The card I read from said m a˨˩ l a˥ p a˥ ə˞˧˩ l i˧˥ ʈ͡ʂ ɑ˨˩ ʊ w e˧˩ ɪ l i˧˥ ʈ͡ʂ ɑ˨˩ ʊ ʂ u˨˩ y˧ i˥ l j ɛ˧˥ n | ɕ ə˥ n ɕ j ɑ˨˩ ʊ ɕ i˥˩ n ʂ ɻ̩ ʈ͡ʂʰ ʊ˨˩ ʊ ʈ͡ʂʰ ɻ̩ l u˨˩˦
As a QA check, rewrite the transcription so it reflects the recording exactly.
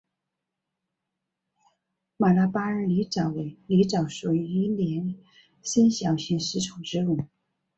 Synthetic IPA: m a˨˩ l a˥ p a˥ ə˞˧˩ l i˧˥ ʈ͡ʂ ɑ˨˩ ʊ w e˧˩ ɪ l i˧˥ ʈ͡ʂ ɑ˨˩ ʊ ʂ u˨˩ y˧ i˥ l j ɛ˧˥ n | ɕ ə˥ n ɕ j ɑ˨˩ ʊ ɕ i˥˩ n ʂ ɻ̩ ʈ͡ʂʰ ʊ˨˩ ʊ ʈ͡ʂ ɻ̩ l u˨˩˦